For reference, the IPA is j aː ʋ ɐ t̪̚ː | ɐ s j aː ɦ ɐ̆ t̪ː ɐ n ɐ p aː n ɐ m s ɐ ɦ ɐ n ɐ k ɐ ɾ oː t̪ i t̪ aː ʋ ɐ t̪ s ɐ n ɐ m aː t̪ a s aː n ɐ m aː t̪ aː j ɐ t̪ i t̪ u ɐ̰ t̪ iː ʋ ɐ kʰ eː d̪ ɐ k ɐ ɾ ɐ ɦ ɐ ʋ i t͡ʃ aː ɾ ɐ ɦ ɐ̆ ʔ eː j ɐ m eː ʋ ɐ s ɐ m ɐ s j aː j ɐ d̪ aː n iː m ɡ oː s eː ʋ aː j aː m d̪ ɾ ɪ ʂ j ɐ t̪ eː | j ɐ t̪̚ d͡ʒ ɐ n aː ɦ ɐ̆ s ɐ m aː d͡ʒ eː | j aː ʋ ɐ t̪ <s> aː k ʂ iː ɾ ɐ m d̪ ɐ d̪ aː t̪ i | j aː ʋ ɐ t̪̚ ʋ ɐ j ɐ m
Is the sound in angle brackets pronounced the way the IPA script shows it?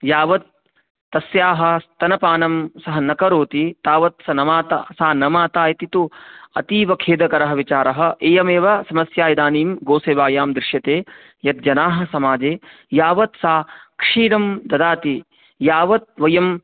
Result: yes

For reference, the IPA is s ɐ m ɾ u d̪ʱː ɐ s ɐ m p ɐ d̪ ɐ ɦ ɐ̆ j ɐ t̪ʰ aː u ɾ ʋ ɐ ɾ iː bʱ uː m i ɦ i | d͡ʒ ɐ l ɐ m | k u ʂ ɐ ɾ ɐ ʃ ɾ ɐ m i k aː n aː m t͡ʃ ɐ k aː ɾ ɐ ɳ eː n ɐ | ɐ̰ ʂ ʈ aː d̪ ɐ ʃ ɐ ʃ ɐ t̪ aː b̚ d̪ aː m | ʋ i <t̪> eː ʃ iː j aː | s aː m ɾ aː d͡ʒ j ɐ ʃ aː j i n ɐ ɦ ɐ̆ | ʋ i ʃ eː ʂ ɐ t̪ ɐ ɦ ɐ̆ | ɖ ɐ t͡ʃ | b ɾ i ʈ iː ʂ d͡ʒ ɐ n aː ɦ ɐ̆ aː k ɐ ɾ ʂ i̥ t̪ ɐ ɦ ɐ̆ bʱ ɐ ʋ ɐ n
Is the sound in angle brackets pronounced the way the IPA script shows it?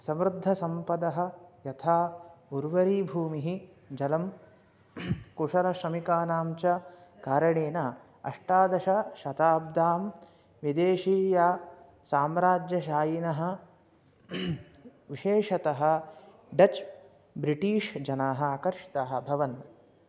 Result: no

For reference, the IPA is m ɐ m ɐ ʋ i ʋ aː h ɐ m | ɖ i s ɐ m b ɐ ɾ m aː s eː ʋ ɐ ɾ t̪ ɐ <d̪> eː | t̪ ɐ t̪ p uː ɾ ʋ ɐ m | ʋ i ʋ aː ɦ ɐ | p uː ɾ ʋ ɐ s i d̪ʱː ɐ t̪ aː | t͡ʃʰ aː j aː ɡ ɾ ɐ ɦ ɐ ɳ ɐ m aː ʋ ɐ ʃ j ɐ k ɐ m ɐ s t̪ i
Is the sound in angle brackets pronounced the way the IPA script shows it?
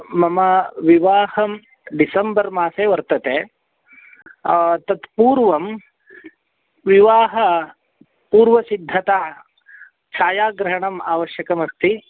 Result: no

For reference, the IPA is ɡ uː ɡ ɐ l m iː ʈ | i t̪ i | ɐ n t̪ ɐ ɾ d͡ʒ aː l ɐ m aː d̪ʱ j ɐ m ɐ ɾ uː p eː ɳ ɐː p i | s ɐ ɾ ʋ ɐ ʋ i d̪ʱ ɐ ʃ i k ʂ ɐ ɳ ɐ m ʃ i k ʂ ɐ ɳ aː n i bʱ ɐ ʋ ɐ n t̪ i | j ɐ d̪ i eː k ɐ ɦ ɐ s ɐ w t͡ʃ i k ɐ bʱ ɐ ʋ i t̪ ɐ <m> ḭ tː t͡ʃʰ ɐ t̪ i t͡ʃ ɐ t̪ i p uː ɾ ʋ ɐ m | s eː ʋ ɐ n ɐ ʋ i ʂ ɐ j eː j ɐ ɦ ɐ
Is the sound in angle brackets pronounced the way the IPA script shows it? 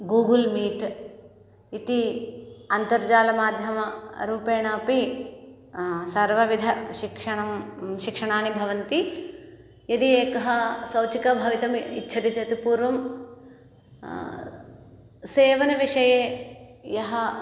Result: yes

